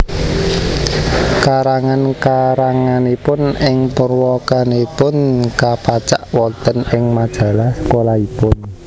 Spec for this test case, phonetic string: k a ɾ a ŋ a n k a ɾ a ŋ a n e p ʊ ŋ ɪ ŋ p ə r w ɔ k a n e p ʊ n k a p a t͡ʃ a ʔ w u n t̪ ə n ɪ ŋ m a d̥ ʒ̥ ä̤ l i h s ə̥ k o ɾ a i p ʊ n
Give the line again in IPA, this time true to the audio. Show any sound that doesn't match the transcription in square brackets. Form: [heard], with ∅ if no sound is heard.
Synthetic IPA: k a ɾ a ŋ a n k a ɾ a ŋ a n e p ʊ [n] ɪ ŋ p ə r w ɔ k a n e p ʊ n k a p a t͡ʃ a ʔ w [ɔ] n t̪ ə n ɪ ŋ m a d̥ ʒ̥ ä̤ l [a] h s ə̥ k o [l] a i p ʊ n